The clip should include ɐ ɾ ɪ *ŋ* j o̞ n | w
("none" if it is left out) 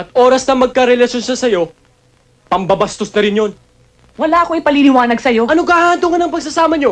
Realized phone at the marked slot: n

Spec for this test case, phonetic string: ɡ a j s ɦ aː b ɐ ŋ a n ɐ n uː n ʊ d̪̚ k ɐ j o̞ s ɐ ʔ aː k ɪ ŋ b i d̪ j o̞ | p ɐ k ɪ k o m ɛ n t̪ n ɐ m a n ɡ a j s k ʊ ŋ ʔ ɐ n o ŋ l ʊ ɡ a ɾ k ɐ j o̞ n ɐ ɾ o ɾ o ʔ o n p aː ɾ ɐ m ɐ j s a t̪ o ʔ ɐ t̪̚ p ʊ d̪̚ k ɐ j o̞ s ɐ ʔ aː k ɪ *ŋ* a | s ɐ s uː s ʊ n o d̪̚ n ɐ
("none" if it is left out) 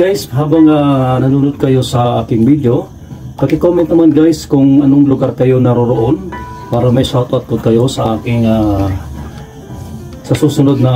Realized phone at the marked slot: ŋ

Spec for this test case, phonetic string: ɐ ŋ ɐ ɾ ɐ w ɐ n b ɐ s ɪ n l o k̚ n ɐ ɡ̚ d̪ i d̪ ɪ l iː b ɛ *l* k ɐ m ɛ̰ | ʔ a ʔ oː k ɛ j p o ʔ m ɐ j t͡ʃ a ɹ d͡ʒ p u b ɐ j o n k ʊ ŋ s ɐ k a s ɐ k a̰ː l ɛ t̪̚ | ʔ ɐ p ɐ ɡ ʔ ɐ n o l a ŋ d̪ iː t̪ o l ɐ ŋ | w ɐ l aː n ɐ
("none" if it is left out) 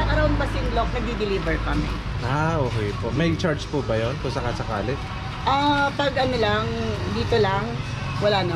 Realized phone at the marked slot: ɹ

